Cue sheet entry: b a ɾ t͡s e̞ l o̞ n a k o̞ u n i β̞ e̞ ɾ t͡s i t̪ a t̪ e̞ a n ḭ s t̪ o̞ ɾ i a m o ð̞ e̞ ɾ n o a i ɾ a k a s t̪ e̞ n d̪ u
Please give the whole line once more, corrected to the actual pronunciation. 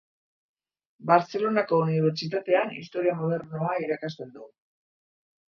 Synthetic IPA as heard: b a ɾ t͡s e̞ l o̞ n a k o̞ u n i β̞ e̞ ɾ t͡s i t̪ a t̪ e̞ a n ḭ s t̪ o̞ ɾ i a m o ð̞ e̞ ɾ n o a i ɾ a k a s t̪ e̞ n d̪ u